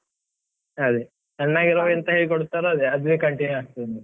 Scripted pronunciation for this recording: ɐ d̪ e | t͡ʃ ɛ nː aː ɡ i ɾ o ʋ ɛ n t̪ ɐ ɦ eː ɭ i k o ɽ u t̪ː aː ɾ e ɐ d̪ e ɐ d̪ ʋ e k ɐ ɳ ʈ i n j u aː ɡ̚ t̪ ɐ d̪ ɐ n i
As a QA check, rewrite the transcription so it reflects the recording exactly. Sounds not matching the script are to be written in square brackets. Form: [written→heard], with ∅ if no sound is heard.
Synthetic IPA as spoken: ɐ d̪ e | t͡ʃ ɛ nː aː ɡ i ɾ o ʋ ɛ n t̪ ɐ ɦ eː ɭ i k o ɽ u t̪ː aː ɾ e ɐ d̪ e ɐ d̪ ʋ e k ɐ ɳ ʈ i n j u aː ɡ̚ t̪ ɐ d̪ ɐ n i